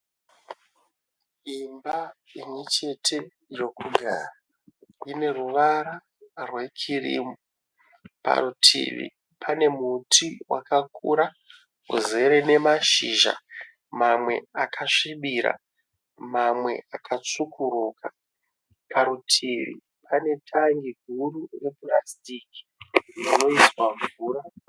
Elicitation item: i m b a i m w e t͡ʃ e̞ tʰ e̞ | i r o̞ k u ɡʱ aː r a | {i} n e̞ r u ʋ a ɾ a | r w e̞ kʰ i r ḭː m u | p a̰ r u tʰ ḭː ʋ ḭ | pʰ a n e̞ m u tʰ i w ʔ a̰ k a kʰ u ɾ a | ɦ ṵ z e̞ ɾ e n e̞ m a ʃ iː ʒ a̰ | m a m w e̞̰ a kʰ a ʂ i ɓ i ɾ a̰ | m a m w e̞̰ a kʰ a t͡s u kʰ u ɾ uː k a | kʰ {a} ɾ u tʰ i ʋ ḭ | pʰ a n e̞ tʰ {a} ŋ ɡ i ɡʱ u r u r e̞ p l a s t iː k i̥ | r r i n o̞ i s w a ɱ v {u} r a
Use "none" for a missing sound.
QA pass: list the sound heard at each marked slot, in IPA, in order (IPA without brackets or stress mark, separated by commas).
i, a, a, uː